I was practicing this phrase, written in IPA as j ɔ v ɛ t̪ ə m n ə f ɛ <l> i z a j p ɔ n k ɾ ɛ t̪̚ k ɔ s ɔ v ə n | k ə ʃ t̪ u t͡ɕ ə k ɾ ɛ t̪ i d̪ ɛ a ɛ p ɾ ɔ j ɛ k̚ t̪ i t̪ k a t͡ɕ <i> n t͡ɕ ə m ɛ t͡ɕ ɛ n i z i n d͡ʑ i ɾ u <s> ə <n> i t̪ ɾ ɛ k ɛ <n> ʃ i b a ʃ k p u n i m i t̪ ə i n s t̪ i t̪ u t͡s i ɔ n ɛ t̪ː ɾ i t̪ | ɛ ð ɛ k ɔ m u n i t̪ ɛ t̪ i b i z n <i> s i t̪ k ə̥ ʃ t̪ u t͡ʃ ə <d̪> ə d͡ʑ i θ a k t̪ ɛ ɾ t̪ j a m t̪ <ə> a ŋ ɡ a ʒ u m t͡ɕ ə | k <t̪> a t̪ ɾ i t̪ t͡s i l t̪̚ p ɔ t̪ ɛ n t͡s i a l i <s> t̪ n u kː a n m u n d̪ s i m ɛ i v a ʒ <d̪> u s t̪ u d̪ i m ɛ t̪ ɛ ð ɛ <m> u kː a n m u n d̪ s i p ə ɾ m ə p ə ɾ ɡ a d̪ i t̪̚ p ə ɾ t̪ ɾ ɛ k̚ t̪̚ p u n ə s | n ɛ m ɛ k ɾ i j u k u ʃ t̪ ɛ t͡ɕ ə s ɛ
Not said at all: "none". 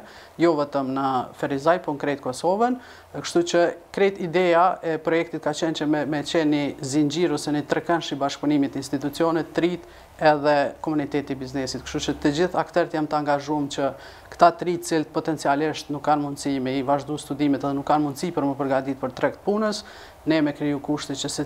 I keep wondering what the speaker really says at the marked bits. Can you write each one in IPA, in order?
ɾ, ɛ, s, n, n, ɛ, t̪, ə, t̪, ʃ, d̪, n

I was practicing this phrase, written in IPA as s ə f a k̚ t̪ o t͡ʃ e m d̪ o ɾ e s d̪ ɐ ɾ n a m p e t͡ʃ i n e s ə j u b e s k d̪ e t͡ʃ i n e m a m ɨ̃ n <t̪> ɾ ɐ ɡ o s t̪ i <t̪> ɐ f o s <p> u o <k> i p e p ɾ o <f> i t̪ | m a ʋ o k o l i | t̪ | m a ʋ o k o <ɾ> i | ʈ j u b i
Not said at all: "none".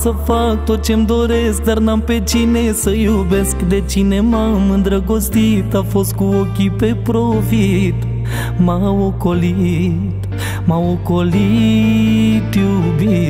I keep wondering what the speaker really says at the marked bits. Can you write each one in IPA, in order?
d̪, t̪, k, k, f, l

